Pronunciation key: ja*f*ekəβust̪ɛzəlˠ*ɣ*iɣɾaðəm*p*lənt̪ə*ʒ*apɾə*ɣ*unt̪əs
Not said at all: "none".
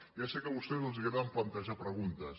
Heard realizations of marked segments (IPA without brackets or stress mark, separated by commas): s, z, p, ʒ, ɣ